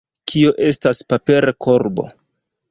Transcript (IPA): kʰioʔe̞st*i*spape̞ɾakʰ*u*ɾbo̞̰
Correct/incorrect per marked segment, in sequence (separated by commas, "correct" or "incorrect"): incorrect, incorrect